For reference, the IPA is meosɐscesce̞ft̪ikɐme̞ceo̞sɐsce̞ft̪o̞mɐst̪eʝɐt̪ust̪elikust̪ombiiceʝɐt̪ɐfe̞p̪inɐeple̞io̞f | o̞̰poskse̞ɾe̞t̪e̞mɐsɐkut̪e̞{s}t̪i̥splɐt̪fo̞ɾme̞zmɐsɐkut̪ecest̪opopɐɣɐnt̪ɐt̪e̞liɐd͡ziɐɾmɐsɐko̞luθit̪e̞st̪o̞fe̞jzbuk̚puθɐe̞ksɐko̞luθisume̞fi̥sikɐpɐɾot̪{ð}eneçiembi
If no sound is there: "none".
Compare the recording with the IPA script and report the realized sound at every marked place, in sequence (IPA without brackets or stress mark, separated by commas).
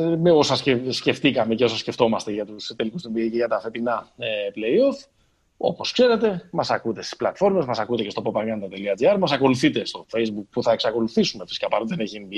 s, ð